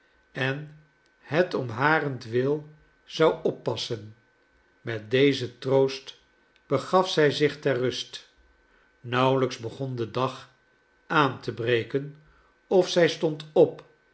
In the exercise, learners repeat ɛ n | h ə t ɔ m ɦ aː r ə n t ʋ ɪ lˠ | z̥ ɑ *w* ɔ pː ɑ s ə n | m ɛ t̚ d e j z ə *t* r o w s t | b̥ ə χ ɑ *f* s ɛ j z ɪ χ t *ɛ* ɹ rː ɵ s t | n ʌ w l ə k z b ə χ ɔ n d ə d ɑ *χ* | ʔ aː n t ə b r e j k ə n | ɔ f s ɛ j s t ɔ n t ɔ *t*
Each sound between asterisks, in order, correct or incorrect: correct, correct, correct, correct, correct, incorrect

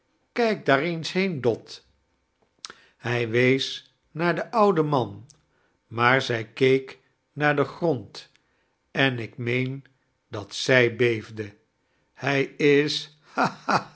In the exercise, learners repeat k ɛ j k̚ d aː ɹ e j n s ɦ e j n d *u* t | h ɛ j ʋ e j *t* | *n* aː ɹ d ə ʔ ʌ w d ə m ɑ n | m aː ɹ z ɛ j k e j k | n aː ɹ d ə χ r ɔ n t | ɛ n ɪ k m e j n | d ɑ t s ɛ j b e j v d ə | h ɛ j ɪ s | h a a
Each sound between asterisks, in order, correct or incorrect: incorrect, incorrect, correct

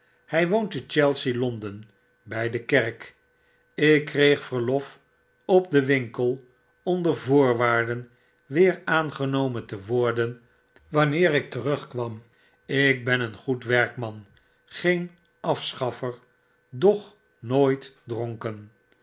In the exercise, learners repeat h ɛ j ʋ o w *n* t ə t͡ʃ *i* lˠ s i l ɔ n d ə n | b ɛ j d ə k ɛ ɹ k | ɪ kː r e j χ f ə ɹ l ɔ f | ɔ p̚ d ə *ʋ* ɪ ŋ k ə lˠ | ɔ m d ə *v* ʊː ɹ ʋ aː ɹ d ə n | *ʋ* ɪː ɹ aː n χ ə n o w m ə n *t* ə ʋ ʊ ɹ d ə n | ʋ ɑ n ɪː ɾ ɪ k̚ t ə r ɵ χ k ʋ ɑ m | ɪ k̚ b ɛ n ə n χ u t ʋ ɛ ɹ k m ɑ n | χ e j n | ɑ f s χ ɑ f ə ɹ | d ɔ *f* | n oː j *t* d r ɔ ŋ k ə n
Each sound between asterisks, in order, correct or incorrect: correct, incorrect, correct, correct, correct, correct, incorrect, correct

